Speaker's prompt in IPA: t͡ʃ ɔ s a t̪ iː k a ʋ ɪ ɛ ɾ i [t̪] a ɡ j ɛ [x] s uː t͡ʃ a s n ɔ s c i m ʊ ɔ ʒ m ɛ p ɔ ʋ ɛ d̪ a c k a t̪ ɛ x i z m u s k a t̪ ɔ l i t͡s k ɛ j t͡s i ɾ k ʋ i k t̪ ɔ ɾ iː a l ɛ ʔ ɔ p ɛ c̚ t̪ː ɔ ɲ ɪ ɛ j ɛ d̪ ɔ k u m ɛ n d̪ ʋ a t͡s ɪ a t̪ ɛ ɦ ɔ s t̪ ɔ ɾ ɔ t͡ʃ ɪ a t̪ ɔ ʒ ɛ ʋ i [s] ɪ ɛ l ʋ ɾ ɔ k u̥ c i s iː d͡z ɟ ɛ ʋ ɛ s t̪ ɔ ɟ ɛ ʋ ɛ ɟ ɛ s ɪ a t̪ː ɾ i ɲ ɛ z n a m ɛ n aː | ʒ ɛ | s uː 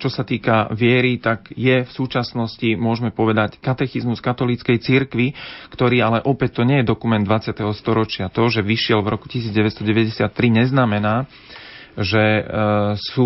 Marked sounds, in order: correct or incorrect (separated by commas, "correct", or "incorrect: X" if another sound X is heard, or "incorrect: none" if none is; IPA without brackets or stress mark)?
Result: correct, incorrect: f, incorrect: ʃ